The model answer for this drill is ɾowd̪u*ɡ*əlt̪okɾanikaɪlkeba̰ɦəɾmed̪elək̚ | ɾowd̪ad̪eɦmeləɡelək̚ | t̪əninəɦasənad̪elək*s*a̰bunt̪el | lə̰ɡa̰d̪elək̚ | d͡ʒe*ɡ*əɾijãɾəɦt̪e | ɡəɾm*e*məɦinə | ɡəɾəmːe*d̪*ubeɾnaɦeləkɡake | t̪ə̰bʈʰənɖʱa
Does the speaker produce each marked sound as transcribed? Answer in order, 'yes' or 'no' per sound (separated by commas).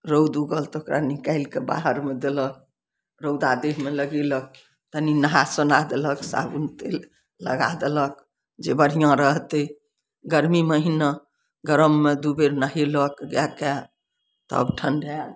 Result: yes, yes, no, no, yes